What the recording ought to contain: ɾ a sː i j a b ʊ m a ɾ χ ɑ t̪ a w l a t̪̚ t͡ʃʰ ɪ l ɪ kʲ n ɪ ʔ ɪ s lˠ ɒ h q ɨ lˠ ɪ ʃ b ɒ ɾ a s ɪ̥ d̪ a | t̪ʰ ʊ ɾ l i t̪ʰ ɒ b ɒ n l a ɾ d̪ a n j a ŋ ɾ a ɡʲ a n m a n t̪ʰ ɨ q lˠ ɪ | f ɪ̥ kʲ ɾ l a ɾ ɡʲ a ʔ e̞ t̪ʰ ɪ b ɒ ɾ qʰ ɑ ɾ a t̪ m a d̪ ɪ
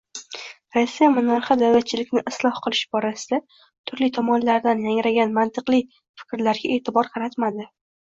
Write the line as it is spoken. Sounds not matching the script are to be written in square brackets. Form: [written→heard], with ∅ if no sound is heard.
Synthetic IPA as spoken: ɾ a sː i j a [b→m] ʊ [m→n] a ɾ χ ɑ [t̪→d̪] a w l a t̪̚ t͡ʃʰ ɪ l ɪ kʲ n ɪ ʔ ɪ s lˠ ɒ h q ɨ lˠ ɪ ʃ b ɒ ɾ a s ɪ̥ d̪ a | t̪ʰ ʊ ɾ l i t̪ʰ ɒ [b→m] ɒ n l a ɾ d̪ a n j a ŋ ɾ a ɡʲ a n m a n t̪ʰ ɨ q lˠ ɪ | f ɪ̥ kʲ ɾ l a ɾ ɡʲ a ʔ e̞ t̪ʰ ɪ b ɒ ɾ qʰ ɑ ɾ a t̪ m a d̪ ɪ